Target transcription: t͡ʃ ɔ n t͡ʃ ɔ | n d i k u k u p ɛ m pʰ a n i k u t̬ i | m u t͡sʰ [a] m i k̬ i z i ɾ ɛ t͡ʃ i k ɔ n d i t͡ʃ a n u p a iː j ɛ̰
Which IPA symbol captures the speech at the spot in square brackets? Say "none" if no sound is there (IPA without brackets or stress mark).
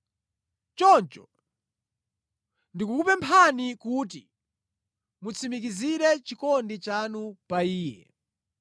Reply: i